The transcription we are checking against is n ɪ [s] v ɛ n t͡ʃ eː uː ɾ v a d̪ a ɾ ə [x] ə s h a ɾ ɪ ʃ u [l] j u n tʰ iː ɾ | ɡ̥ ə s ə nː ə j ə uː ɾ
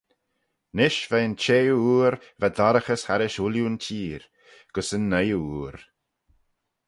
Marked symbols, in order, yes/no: no, yes, yes

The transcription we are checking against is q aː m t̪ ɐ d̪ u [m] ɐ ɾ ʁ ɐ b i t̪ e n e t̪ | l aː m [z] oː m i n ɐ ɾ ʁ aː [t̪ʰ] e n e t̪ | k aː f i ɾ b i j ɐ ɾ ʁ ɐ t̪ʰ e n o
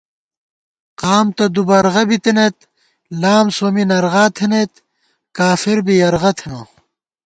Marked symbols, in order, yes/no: no, no, yes

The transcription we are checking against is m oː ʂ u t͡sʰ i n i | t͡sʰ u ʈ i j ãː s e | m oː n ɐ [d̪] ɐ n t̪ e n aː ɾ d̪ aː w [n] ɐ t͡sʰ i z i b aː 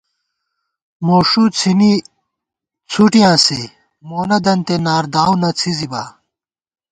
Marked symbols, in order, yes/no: yes, yes

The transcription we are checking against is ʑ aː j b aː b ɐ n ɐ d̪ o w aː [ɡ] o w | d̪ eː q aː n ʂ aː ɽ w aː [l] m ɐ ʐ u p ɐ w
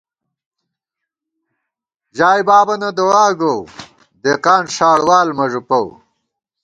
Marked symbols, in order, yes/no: yes, yes

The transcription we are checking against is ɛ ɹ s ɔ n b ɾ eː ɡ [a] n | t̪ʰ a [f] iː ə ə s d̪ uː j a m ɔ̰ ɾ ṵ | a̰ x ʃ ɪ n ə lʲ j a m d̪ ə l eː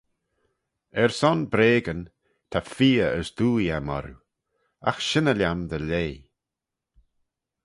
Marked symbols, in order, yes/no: no, yes

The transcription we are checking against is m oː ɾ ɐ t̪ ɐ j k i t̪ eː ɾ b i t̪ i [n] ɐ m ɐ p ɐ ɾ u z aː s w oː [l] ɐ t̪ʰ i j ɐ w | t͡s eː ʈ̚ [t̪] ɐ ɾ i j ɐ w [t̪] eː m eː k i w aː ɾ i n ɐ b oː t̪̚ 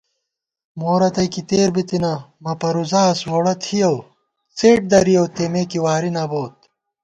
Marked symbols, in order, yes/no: yes, no, no, yes

